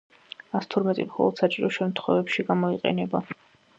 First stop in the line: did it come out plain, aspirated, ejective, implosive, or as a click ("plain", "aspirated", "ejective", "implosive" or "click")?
aspirated